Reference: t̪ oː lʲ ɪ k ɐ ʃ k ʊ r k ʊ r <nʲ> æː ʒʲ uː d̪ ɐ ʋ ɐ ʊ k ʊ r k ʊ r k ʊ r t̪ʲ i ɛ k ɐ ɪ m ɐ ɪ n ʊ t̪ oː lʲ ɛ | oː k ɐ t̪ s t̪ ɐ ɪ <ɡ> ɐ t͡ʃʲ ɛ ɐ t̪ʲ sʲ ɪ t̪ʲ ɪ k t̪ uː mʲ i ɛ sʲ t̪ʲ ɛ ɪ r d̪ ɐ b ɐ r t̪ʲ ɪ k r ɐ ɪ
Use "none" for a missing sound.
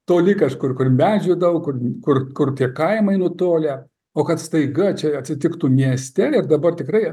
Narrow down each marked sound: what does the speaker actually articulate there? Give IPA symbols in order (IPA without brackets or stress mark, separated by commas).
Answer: mʲ, ɡ